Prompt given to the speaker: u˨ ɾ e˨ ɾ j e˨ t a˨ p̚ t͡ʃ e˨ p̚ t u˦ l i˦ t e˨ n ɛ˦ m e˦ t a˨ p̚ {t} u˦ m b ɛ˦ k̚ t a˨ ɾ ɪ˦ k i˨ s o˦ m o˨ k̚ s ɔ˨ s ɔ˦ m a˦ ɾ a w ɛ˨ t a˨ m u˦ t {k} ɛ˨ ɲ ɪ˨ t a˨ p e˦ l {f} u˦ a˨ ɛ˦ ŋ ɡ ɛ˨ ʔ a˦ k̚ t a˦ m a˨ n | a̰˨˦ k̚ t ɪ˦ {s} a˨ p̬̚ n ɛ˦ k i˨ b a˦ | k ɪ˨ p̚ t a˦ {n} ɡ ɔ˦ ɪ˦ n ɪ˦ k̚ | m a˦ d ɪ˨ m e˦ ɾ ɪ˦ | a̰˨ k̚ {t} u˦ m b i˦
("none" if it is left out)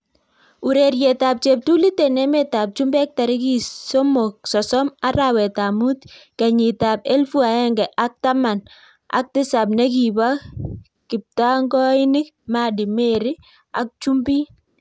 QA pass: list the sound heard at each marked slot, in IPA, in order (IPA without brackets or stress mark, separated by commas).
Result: t͡ʃ, k, f, s, ŋ, t͡ʃ